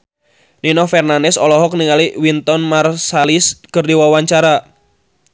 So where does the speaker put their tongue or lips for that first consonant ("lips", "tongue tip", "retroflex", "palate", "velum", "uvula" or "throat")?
tongue tip